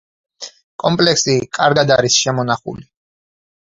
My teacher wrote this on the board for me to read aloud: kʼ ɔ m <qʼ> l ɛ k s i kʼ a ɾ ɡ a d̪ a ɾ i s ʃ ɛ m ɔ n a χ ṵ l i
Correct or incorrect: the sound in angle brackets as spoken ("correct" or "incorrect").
incorrect